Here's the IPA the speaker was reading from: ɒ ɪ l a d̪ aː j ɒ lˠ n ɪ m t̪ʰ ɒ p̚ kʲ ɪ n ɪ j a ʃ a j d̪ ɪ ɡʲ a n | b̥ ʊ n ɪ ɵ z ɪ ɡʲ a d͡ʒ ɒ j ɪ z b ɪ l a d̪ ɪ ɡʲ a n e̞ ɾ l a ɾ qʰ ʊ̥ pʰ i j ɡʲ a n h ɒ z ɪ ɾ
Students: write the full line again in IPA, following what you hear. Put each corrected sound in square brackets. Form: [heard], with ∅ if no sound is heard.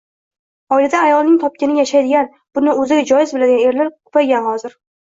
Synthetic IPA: ɒ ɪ l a d̪ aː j ɒ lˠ n ɪ [ŋ] t̪ʰ ɒ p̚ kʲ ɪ n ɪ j a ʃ a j d̪ ɪ ɡʲ a n | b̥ ʊ n ɪ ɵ z ɪ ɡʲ a d͡ʒ ɒ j ɪ z b ɪ l a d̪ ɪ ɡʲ a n e̞ ɾ l a ɾ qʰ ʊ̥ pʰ [a] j ɡʲ a n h ɒ z ɪ ɾ